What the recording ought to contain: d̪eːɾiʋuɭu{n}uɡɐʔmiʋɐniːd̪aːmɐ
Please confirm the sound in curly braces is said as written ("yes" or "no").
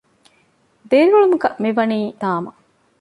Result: no